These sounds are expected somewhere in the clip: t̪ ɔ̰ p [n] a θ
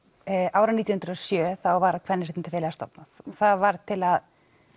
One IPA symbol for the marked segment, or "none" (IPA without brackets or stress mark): n